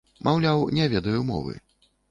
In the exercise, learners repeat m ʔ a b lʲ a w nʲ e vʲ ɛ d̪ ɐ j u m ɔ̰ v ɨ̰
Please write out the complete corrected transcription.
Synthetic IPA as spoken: m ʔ a w lʲ a w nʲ ɛ vʲ ɛ d̪ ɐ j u m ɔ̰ v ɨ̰